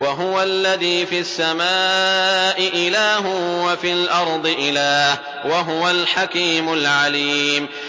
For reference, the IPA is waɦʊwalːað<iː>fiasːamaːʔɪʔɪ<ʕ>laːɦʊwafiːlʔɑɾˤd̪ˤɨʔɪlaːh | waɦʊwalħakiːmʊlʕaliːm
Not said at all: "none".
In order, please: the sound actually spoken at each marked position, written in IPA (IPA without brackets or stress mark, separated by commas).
iː, none